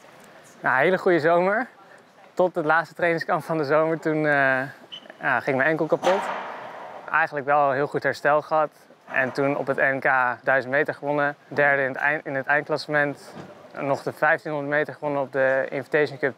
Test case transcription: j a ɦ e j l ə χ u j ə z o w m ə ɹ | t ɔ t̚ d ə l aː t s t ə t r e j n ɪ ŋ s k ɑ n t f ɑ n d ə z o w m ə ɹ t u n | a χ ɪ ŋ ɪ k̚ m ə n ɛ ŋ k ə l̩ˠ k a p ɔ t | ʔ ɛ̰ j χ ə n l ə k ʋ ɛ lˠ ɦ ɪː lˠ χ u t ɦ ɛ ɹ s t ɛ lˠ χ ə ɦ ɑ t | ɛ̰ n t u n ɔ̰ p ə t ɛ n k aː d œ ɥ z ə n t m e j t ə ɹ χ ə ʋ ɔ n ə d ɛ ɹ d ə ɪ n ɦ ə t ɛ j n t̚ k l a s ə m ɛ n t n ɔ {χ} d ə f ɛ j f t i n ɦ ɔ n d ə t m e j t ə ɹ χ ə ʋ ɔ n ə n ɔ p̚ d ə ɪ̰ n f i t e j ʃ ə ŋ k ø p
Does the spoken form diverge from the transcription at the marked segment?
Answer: no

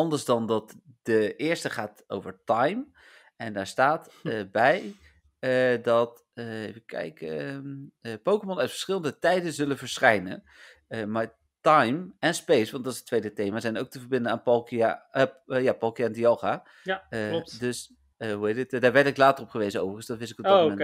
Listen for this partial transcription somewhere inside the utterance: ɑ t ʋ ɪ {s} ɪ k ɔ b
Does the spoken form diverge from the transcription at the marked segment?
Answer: no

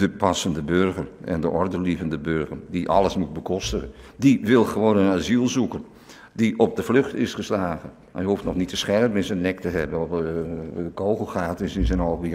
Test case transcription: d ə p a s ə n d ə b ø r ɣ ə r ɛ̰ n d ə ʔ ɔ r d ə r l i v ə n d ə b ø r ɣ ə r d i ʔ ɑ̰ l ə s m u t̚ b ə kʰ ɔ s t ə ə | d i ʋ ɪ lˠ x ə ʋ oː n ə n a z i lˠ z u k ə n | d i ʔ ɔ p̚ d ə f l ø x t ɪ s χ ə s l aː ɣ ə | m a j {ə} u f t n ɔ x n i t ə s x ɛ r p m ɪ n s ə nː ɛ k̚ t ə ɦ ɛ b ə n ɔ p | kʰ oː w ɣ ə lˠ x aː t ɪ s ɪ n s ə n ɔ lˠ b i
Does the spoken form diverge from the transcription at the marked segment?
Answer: no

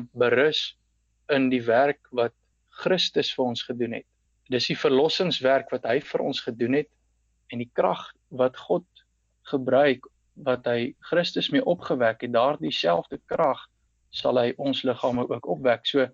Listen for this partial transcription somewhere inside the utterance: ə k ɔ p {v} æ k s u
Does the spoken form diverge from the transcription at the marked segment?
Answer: no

